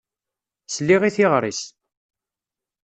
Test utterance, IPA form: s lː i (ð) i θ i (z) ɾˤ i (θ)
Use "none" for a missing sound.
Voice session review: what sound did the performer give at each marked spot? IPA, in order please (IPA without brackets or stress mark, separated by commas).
ʁ, ʁ, s